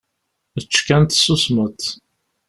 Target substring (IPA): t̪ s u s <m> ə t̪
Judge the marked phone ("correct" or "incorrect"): correct